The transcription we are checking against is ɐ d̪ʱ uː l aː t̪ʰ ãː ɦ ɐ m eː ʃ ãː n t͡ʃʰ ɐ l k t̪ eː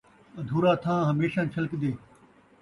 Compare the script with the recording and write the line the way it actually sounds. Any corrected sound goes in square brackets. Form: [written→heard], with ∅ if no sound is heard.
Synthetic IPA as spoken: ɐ d̪ʱ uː [l→ɾ] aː t̪ʰ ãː ɦ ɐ m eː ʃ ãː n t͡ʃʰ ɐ l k [t̪→d̪] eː